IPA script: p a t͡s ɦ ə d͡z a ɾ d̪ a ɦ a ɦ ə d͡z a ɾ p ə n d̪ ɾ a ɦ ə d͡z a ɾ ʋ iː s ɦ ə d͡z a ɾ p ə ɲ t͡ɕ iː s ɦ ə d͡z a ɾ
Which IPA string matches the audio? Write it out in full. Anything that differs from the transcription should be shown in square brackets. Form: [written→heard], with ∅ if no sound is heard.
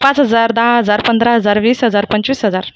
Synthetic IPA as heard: p a t͡s ɦ ə d͡z a ɾ d̪ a ɦ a ɦ ə d͡z a ɾ p ə n d̪ ɾ a ɦ ə d͡z a ɾ ʋ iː s ɦ ə d͡z a ɾ p ə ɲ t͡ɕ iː s ɦ ə d͡z a ɾ

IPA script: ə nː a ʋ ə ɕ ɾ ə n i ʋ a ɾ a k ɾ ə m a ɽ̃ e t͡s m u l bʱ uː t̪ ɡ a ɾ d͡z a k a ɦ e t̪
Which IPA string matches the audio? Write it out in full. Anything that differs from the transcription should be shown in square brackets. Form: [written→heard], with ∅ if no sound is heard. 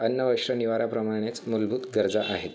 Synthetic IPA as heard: ə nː [a→ə] ʋ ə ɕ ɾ ə n i ʋ a ɾ a [k→p] ɾ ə m a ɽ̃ e t͡s m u l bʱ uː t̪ ɡ [a→ə] ɾ d͡z a [k→ʔ] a ɦ e t̪

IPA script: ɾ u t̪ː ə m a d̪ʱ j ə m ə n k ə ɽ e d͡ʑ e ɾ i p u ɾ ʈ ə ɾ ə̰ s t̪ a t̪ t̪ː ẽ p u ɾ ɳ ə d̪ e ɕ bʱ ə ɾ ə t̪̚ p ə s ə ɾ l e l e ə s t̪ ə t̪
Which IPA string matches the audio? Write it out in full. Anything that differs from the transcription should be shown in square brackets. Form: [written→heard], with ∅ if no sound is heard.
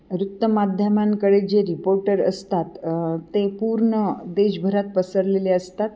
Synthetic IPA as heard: ɾ u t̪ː ə m a d̪ʱ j ə m [ə→a] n k ə ɽ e d͡ʑ e ɾ i p [u→o] ɾ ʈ ə ɾ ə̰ s t̪ a t̪ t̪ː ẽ p u ɾ ɳ ə d̪ e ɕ bʱ ə ɾ [ə→a] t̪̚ p ə s ə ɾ l e l e ə s t̪ [ə→a] t̪

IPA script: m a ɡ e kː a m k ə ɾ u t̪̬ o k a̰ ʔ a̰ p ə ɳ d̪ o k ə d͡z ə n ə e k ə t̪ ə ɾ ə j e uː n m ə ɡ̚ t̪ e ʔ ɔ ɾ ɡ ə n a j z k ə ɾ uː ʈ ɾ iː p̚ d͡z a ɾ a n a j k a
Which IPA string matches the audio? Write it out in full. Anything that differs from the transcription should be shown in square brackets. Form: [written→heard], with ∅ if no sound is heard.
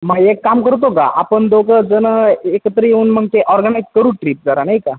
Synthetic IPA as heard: m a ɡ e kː a m k ə ɾ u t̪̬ o k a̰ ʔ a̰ p ə ɳ d̪ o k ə d͡z ə n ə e k ə t̪ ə ɾ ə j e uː n m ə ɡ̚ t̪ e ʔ ɔ ɾ ɡ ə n a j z k ə ɾ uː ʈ ɾ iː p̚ d͡z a ɾ a n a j k a

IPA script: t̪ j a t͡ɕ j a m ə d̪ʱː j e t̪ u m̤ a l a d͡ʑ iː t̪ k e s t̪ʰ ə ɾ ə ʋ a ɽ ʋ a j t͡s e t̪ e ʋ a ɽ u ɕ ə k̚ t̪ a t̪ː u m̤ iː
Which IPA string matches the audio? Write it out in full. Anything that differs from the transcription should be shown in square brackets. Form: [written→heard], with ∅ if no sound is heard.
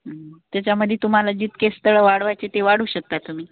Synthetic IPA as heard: t̪ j a t͡ɕ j a m ə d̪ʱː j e t̪ u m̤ a l a d͡ʑ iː t̪ k e s [t̪ʰ→t̪] ə [ɾ→ɭ] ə ʋ a ɽ ʋ a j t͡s e t̪ e ʋ a ɽ [u→uː] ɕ ə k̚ t̪ a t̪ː u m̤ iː

